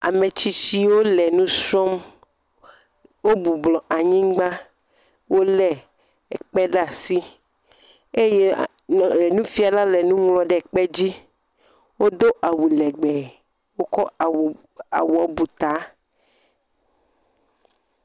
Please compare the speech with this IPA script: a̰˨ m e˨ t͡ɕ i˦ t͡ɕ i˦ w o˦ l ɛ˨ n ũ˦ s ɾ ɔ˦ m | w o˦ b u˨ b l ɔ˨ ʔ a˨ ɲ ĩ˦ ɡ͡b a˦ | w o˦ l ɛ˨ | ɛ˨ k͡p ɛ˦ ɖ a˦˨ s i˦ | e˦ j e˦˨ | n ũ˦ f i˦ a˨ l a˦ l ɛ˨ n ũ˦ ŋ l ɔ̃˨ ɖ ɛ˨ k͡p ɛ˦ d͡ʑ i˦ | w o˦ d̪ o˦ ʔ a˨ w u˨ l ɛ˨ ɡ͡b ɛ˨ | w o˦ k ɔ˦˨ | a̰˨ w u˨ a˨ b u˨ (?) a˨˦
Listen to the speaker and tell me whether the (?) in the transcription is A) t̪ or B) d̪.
A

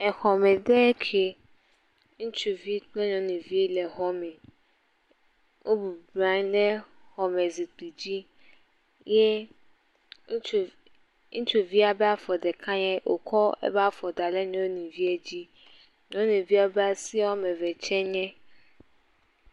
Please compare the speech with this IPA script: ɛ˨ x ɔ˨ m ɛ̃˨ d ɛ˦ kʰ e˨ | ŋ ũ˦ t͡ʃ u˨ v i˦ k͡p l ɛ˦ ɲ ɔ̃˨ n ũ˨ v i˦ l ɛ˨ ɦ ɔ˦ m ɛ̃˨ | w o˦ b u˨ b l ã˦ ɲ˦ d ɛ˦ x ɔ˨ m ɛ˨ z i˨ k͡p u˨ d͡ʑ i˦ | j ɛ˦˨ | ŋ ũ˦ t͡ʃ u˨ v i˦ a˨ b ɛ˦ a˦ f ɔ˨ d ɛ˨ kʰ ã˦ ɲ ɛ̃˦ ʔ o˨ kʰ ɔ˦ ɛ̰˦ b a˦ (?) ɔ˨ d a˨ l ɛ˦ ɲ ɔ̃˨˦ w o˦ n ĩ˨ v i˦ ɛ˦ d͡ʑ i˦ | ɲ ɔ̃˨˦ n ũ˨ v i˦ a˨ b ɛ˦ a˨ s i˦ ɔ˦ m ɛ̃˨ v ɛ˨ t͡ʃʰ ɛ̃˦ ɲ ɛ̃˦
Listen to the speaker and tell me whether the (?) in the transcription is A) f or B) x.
A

